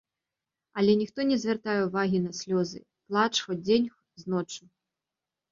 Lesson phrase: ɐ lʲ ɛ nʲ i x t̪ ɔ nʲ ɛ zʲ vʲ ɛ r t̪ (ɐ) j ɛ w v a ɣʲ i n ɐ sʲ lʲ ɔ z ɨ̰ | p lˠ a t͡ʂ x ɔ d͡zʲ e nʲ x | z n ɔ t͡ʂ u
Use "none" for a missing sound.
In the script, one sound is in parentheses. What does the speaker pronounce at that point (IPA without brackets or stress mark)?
a